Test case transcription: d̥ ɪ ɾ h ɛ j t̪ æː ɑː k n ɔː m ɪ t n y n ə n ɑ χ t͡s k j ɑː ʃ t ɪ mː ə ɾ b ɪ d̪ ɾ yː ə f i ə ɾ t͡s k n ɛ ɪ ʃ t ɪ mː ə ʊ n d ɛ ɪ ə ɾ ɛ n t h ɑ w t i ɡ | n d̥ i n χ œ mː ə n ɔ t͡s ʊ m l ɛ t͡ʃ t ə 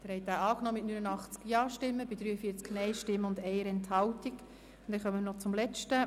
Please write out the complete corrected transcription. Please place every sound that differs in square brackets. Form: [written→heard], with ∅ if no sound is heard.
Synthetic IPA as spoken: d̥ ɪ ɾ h ɛ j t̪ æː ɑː k n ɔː m ɪ t n y n ə n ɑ χ t͡s k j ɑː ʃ t ɪ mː ə [ɾ→∅] b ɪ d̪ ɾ yː ə f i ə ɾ t͡s k n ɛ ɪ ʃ t ɪ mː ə ʊ n d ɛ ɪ ə ɾ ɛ n t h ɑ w t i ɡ | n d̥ [i→ɛ] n χ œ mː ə n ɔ t͡s ʊ m l ɛ t͡ʃ t ə